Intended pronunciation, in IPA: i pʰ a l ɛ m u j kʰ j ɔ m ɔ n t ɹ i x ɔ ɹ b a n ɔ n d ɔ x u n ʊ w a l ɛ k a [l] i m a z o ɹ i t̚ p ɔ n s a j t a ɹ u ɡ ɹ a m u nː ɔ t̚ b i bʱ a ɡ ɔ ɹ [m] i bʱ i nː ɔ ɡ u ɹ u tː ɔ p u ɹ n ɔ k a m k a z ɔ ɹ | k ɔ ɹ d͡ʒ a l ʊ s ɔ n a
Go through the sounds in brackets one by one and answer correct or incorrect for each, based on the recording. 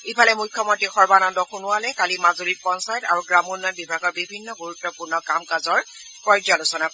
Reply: correct, incorrect

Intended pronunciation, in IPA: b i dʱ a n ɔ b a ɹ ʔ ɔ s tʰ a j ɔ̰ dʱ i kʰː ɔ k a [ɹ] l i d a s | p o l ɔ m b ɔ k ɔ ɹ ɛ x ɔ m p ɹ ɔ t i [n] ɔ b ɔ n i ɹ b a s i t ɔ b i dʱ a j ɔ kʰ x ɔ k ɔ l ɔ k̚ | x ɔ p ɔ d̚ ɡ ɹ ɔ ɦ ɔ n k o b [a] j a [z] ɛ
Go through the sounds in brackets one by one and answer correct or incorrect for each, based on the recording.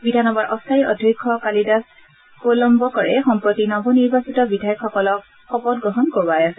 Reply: incorrect, correct, correct, incorrect

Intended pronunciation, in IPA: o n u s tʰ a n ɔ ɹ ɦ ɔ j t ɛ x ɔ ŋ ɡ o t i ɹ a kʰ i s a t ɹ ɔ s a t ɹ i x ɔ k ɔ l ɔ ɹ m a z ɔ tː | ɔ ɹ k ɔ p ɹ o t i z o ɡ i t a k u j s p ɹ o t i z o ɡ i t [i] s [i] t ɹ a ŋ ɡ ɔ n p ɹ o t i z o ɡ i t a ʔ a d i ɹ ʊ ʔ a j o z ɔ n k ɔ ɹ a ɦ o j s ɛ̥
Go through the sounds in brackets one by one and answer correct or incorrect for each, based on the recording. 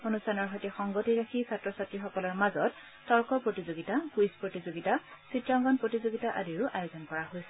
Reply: incorrect, correct

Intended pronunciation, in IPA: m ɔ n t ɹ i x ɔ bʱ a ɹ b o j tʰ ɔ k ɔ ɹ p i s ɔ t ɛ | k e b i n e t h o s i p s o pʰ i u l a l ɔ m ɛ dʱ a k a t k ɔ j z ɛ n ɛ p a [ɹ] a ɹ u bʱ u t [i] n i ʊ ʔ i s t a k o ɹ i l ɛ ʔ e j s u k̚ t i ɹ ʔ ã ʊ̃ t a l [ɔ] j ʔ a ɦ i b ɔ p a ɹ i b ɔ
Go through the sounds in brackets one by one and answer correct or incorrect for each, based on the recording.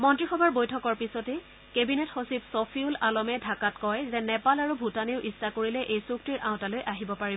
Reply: incorrect, incorrect, incorrect

